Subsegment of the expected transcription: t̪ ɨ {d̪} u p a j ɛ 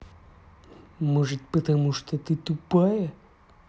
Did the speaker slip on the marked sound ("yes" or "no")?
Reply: yes